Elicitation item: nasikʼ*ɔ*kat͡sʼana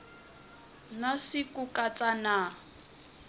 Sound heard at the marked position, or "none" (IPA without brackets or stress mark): u